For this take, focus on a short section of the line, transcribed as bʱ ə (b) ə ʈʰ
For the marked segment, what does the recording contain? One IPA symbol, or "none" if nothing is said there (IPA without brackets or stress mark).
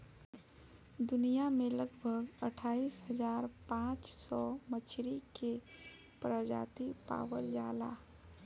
ɡ